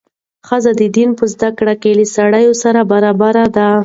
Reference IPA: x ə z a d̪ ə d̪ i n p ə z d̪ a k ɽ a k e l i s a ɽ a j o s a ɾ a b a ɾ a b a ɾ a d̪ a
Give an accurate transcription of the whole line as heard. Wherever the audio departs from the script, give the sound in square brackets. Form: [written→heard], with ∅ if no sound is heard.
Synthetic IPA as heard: x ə z a d̪ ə d̪ i n p ə z d̪ a k ɽ a k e l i s a ɽ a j o s a ɾ a b a ɾ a b a ɾ a d̪ a